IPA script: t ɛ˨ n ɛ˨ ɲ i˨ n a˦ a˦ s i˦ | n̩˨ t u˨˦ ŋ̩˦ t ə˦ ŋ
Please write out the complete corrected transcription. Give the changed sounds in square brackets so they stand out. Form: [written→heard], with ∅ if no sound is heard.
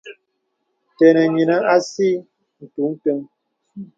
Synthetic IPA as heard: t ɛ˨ n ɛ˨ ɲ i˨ n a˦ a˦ s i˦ | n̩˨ t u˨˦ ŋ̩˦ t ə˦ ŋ